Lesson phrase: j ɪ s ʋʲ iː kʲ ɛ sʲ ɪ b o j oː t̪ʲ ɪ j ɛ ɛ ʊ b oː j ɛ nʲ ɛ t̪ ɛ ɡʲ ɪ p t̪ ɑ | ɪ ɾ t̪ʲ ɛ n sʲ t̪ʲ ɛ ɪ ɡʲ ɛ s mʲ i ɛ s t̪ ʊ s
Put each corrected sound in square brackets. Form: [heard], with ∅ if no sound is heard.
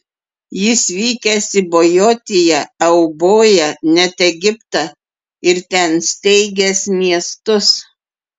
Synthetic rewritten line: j ɪ s ʋʲ iː kʲ ɛ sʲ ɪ b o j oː t̪ʲ ɪ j ɛ ɛ ʊ b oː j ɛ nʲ ɛ t̪ ɛ ɡʲ ɪ p t̪ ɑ | ɪ ɾ t̪ʲ ɛ n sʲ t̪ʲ ɛ ɪ ɡʲ ɛ s mʲ i ɛ s t̪ ʊ s